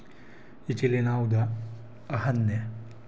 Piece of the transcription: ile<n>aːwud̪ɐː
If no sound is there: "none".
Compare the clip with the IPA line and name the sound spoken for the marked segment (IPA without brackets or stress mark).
n